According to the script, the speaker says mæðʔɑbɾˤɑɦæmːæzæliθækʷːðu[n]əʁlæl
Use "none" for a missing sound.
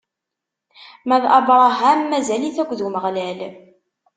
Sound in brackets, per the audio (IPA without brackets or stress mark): m